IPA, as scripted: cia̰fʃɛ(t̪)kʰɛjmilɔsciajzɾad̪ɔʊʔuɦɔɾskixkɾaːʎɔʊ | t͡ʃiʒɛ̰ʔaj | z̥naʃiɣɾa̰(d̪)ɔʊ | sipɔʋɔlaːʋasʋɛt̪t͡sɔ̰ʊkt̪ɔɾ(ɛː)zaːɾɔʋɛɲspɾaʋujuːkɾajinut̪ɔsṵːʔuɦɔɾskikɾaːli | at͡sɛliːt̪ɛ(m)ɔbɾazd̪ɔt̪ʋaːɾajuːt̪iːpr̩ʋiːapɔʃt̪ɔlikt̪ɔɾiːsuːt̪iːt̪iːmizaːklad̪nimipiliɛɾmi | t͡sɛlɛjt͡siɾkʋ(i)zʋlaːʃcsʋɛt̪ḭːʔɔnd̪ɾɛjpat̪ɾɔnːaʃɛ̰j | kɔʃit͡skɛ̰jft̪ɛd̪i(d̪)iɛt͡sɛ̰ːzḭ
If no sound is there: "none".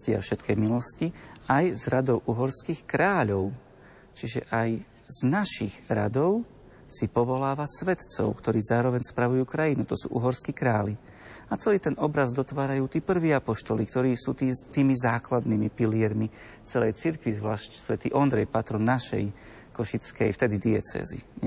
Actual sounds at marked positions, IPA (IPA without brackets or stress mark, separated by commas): t̪, d̪, iː, n, i, d̪